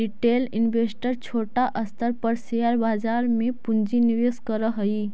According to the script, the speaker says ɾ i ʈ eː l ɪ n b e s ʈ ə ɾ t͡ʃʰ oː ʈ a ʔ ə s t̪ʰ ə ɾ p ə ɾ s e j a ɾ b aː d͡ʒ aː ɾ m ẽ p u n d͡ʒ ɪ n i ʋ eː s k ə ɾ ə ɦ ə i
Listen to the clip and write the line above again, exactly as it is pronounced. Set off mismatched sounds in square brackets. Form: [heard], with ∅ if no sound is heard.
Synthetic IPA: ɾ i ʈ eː l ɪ n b e s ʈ ə ɾ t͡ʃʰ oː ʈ a ʔ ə s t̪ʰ ə ɾ p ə ɾ s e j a ɾ b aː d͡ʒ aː ɾ m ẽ p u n d͡ʒ [i] n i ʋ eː s k ə ɾ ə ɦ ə i